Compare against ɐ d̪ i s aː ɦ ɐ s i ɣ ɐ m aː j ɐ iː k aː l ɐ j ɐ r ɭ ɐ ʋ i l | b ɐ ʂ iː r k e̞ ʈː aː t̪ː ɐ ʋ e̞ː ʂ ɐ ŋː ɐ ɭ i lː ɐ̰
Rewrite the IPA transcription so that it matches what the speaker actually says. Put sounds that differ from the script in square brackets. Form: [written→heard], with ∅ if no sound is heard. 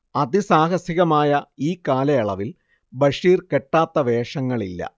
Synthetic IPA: ɐ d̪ i s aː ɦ ɐ s i ɣ ɐ m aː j ɐ iː k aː l ɐ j ɐ [r→∅] ɭ ɐ ʋ i l | b ɐ ʂ iː r k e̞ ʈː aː t̪ː ɐ ʋ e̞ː ʂ ɐ ŋː ɐ ɭ i lː ɐ̰